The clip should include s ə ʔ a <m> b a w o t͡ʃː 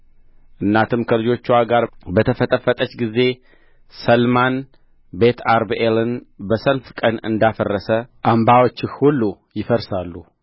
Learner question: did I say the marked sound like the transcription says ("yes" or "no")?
yes